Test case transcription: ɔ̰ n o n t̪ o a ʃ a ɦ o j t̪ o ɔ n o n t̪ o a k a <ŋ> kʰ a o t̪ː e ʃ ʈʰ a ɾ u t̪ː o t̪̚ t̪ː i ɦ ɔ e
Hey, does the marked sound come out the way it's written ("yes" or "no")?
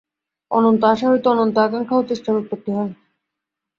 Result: yes